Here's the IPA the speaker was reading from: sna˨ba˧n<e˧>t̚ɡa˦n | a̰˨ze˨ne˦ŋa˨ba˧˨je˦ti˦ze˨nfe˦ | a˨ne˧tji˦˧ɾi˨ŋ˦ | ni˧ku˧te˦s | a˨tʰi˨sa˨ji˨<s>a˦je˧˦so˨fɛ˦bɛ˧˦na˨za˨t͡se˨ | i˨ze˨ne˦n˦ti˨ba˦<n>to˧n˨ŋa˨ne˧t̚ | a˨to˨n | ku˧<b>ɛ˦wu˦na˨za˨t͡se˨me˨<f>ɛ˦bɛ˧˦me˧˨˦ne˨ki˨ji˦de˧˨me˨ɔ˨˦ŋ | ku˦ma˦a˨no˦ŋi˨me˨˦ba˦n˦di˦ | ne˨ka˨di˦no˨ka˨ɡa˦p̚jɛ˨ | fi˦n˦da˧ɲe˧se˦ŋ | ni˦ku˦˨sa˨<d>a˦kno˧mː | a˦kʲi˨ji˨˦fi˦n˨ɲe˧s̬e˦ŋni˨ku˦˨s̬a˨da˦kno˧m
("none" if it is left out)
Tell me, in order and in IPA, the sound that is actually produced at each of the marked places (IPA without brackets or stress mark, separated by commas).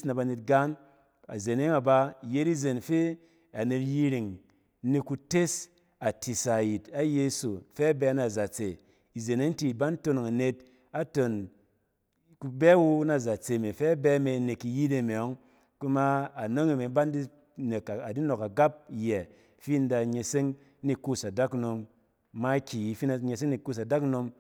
e˧, t, n, b, f, d